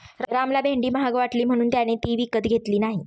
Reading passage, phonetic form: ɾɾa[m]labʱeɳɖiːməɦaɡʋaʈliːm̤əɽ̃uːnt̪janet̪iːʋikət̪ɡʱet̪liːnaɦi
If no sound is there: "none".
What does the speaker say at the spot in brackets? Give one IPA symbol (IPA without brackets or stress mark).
m